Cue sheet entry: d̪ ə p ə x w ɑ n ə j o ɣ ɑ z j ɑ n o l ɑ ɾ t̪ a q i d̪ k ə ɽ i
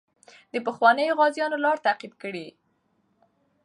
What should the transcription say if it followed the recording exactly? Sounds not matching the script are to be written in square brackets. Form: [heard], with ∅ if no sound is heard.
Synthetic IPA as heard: d̪ ə p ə x w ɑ n ə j o ɣ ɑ z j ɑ n o l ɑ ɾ t̪ a q i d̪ k ə ɽ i

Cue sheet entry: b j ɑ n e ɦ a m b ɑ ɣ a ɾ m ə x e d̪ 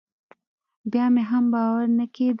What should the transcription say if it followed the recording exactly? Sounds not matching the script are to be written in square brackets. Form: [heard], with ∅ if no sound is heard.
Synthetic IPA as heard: b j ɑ [m] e ɦ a m b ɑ [w] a ɾ [n] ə [k] e d̪

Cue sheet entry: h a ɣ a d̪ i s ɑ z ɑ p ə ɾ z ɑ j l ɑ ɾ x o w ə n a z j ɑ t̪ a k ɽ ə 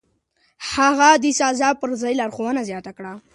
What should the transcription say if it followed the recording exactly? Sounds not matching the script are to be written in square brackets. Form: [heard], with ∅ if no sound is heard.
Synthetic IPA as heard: h a ɣ a d̪ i s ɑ z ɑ p ə ɾ z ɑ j l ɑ ɾ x o w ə n a z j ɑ t̪ a k ɽ [a]

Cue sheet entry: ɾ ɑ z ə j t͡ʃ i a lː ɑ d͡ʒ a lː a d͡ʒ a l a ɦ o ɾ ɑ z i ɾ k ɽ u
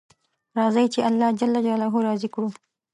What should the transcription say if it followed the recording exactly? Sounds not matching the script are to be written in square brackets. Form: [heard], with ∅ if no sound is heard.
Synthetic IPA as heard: ɾ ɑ z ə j t͡ʃ [e] a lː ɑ d͡ʒ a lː a d͡ʒ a l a ɦ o ɾ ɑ z i [∅] k ɽ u

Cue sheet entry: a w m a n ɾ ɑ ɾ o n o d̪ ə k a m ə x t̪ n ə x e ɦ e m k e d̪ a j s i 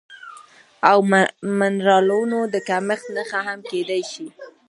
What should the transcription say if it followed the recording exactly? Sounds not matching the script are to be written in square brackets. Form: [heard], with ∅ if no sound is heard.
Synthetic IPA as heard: a w m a n ɾ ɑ [l] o n o d̪ ə k a m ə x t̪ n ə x [a] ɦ [a] m k e d̪ a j [ʃ] i

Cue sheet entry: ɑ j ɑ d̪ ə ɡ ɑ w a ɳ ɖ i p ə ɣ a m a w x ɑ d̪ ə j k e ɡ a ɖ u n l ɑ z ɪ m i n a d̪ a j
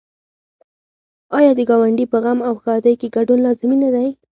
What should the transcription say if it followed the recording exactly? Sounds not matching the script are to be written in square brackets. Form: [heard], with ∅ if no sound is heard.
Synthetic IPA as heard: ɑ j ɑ d̪ ə ɡ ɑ w a ɳ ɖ i p ə ɣ a m a w x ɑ d̪ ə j k e ɡ a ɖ u n l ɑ z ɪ m i n a d̪ a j

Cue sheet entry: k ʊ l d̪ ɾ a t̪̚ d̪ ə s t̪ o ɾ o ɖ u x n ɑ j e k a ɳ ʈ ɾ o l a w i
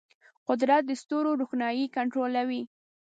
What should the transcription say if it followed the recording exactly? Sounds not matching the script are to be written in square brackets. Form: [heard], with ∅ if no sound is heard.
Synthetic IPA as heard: [q] ʊ [∅] d̪ ɾ a t̪̚ d̪ ə s t̪ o ɾ o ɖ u x n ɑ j [i] k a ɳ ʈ ɾ o l a w i

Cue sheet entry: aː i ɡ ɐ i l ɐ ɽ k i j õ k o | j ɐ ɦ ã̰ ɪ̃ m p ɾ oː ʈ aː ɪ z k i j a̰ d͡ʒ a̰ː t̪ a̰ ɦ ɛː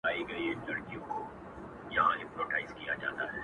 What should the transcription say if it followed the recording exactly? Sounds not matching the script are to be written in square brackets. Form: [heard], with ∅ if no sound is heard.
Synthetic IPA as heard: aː i ɡ ɐ i l ɐ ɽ k i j õ k o | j ɐ ɦ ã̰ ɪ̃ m p ɾ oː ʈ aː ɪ z k i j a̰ d͡ʒ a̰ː t̪ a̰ ɦ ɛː

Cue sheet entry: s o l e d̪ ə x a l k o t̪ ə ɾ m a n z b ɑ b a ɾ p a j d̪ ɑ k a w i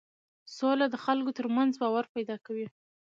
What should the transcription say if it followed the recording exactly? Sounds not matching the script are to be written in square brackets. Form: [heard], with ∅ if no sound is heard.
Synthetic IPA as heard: s o l [a] d̪ ə x a l k o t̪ ə ɾ m a n z b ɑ [w] a ɾ p a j d̪ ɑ k a w i

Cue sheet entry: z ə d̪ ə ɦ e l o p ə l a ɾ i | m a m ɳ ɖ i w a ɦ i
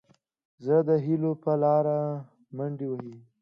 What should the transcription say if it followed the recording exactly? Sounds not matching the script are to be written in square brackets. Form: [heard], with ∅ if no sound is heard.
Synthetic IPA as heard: z ə d̪ ə ɦ [i] l o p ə l [ɑ] ɾ [a] | m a [∅] ɳ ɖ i w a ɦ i

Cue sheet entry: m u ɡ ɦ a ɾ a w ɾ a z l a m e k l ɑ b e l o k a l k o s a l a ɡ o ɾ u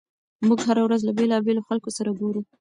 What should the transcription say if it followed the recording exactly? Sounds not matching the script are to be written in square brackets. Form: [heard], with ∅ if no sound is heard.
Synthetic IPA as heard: m u ɡ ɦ a ɾ a w ɾ a z l a [b] e [∅] l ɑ b e l o [x] a l k o s a [ɾ] a ɡ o ɾ u

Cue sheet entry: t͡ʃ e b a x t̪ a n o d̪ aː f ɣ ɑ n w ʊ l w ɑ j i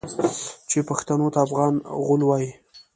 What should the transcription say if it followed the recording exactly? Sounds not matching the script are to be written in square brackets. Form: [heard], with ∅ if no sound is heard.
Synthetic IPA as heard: t͡ʃ e [p] a x t̪ a n o [t̪] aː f ɣ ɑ n [ɣ] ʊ l w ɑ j i

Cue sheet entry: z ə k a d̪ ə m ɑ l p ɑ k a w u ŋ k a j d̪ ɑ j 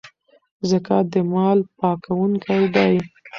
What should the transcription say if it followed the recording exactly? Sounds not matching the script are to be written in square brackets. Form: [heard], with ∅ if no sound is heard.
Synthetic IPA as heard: z ə k a d̪ ə m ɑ l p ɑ k a w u ŋ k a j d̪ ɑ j

